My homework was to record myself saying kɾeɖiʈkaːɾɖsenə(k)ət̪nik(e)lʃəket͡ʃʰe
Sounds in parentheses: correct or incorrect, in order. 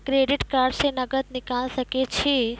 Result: incorrect: ɡ, incorrect: a

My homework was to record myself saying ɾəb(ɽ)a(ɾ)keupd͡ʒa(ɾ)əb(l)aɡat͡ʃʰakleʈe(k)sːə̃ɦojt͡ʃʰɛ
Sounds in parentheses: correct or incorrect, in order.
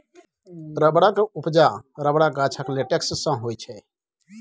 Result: correct, incorrect: none, correct, incorrect: ɽ, correct

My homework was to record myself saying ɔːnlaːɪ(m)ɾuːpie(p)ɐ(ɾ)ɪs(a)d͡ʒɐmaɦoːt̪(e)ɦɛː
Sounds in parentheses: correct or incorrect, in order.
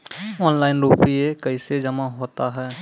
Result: incorrect: n, incorrect: k, incorrect: none, incorrect: e, incorrect: a

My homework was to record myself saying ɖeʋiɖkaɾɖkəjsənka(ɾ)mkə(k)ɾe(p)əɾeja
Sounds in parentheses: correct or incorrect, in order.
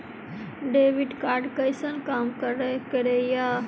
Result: incorrect: none, incorrect: none, incorrect: k

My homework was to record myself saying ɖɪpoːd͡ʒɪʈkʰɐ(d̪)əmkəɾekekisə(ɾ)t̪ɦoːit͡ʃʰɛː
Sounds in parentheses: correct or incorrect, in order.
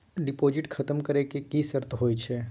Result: incorrect: t̪, correct

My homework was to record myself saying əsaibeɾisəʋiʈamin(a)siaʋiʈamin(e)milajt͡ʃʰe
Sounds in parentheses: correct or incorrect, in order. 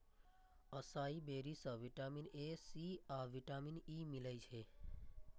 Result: incorrect: e, incorrect: i

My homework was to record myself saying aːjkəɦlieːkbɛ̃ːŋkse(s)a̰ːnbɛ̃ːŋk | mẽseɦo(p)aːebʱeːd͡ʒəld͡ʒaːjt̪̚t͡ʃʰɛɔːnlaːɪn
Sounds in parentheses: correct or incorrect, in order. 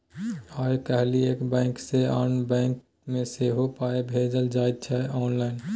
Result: incorrect: none, correct

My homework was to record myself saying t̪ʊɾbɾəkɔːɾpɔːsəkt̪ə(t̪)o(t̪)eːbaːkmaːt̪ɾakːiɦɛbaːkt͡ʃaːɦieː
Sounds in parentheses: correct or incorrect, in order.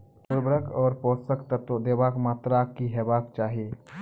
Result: correct, incorrect: d̪

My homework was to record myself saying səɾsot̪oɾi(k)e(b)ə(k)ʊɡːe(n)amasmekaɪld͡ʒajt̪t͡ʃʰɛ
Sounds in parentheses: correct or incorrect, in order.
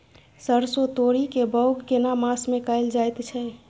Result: correct, correct, incorrect: none, correct

